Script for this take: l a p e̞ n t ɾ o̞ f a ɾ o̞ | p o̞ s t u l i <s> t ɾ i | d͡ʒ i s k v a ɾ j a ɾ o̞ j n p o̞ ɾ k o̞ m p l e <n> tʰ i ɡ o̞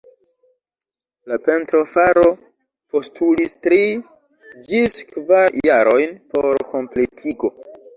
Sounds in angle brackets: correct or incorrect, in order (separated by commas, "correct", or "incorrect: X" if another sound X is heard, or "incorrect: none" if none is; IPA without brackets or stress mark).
correct, incorrect: none